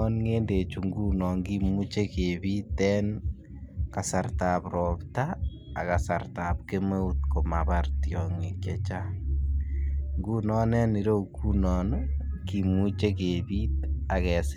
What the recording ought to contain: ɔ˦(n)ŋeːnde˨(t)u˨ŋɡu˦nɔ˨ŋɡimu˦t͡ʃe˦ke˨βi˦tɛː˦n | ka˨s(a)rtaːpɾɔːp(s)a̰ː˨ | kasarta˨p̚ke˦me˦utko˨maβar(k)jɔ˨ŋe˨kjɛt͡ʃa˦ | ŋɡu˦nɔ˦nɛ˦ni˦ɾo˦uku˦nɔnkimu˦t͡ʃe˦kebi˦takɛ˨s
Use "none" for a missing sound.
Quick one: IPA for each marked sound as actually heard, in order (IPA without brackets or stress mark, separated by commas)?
n, t͡ʃ, a, t, t